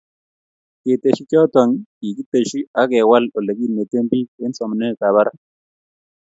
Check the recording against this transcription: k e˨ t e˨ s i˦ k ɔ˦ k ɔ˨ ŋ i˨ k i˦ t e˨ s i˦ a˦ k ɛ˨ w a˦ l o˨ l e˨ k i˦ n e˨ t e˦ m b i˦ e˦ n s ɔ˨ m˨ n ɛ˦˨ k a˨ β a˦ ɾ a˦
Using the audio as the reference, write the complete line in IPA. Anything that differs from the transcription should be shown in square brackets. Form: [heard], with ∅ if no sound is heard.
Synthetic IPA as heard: k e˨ t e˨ [ʃ] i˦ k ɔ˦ [t] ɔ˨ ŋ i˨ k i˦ t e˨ [ʃ] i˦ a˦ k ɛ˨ w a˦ l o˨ l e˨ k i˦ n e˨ t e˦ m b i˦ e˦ n s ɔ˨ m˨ n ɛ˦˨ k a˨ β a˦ ɾ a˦